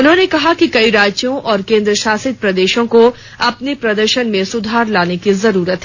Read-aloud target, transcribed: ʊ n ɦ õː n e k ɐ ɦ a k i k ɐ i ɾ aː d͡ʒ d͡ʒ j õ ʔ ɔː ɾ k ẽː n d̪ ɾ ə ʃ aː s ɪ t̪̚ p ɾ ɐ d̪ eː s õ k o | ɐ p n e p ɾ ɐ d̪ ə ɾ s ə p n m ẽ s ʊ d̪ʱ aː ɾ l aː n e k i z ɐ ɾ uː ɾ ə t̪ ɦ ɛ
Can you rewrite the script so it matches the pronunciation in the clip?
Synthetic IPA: ʊ n ɦ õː n e k ɐ ɦ a k i k ɐ i ɾ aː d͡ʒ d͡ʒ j õ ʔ ɔː ɾ k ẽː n d̪ ɾ ə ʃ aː s ɪ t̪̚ p ɾ ɐ d̪ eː ʃ õ k o | ɐ p n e p ɾ ɐ d̪ ə ɾ ʃ ə n m ẽ s ʊ d̪ʱ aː ɾ l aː n e k i z ɐ ɾ uː ɾ ə t̪ ɦ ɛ